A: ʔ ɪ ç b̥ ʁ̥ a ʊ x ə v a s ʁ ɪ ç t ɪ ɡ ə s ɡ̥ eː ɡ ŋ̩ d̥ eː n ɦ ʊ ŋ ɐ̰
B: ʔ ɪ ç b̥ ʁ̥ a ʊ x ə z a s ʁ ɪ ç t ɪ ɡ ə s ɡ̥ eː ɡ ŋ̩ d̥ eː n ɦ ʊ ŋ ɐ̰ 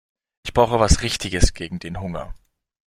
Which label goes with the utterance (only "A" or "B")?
A